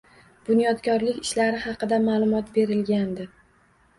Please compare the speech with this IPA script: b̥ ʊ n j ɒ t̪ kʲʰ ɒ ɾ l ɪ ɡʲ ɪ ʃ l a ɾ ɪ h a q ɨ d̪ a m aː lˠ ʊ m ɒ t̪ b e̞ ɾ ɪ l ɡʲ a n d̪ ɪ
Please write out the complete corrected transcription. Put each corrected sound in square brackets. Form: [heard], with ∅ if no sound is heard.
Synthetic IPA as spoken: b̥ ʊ n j ɒ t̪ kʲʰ ɒ ɾ l ɪ [kʲ] ɪ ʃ l a ɾ ɪ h [ɑ] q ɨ d̪ a m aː lˠ ʊ m ɒ t̪ b e̞ ɾ ɪ l ɡʲ a n d̪ ɪ